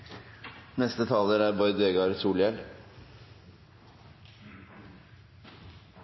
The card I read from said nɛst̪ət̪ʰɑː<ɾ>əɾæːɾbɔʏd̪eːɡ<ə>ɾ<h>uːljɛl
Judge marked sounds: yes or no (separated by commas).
no, no, no